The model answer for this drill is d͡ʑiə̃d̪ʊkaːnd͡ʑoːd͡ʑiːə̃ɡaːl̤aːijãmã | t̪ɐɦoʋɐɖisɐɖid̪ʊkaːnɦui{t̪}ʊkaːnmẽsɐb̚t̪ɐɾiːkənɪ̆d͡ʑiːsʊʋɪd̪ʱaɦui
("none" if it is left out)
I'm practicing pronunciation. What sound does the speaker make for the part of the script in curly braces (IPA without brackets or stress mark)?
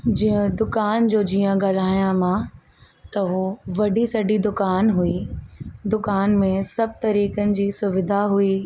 d̪